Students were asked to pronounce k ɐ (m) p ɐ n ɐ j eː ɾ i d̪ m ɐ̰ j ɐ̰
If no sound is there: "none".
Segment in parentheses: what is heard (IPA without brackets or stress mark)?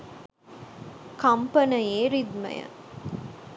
m